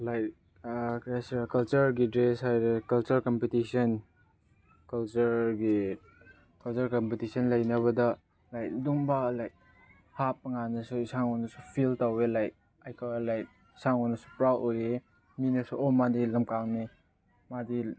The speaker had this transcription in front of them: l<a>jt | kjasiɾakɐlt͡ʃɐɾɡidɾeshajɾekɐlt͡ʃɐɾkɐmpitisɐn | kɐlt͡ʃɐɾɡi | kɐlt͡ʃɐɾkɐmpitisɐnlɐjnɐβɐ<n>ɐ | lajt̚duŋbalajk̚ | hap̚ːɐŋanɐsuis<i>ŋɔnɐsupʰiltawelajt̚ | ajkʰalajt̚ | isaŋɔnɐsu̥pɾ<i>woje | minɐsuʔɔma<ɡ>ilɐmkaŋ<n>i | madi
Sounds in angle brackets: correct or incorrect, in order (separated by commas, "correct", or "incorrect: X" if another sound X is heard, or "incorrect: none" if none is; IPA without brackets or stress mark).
correct, incorrect: d, incorrect: a, incorrect: a, incorrect: d, correct